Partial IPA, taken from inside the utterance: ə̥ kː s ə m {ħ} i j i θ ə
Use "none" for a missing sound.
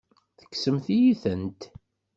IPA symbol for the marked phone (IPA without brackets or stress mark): θ